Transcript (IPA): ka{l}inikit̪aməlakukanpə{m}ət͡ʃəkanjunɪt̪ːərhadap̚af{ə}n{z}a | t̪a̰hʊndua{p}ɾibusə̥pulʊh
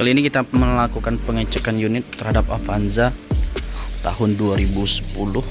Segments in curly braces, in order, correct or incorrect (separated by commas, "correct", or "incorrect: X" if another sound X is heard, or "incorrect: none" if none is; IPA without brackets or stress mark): correct, incorrect: ŋ, incorrect: a, correct, incorrect: none